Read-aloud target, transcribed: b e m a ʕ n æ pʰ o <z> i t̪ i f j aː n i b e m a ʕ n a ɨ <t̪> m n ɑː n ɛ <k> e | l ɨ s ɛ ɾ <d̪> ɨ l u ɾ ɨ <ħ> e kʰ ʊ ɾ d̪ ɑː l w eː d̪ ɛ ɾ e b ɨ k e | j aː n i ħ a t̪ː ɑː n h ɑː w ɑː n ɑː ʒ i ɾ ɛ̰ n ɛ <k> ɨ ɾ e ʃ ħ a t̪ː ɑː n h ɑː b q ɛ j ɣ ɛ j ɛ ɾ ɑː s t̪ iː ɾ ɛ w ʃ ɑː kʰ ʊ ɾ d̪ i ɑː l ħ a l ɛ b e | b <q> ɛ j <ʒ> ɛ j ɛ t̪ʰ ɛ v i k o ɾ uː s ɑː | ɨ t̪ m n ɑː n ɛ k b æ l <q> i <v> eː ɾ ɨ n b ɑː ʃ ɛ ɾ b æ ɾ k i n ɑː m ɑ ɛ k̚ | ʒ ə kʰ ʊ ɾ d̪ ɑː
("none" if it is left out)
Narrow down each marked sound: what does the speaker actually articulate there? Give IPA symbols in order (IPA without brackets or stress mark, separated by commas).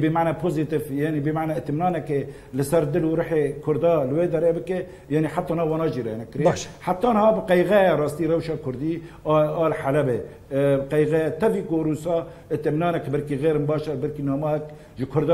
z, t̪, k, d̪, ħ, k, q, ɣ, k, ɣ